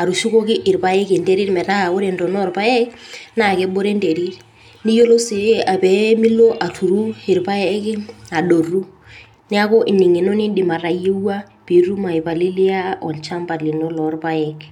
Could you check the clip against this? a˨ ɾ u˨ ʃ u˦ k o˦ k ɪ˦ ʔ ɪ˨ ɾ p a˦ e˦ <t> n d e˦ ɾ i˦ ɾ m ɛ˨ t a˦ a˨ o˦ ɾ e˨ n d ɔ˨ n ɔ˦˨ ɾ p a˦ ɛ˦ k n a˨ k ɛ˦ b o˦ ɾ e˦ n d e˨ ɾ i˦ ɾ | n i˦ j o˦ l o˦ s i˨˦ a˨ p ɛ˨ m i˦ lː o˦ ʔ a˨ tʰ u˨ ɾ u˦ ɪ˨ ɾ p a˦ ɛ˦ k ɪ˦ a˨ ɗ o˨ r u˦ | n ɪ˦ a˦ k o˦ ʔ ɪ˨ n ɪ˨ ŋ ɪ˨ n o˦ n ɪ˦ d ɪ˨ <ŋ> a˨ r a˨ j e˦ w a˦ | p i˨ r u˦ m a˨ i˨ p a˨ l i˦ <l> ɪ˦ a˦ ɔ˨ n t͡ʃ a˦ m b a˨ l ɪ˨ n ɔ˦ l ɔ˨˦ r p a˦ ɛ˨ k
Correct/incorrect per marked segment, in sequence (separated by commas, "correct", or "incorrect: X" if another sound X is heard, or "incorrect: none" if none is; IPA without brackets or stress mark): incorrect: k, incorrect: m, correct